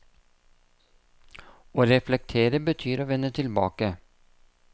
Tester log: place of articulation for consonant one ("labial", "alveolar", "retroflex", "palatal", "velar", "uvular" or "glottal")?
alveolar